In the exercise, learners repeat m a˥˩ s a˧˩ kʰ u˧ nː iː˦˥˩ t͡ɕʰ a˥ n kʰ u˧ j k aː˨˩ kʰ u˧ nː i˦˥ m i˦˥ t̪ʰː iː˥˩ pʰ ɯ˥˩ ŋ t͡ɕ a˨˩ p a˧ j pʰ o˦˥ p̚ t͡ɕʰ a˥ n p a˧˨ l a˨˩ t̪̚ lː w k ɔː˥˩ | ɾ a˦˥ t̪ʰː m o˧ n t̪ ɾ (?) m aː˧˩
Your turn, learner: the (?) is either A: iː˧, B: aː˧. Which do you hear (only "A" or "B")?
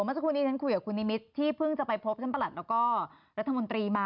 A